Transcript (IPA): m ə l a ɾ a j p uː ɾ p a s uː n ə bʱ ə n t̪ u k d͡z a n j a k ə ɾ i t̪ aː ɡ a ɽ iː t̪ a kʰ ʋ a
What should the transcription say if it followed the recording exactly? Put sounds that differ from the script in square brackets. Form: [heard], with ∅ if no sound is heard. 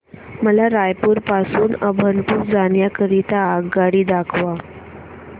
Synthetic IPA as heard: m ə l a ɾ a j p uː ɾ p a s uː n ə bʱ ə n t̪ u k d͡z a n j a k ə ɾ i t̪ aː ɡ a ɽ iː [d̪] a kʰ ʋ a